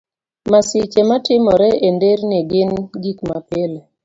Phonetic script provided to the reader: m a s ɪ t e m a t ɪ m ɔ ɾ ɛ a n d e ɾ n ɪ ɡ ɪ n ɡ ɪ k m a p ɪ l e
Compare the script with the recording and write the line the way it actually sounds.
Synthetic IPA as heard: m a s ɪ t͡ʃ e m a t ɪ m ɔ ɾ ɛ e n d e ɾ n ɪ ɡ ɪ n ɡ i k m a p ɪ l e